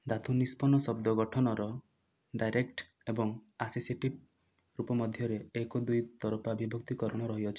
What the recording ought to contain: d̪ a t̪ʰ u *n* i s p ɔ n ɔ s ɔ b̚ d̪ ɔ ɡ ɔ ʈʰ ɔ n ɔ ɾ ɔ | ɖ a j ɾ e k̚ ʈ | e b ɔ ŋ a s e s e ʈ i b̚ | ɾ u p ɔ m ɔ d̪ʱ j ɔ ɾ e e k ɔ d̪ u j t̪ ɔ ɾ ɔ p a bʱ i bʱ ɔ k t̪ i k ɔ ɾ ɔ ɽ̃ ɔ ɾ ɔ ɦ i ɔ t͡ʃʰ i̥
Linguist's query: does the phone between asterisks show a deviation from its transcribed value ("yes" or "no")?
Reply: no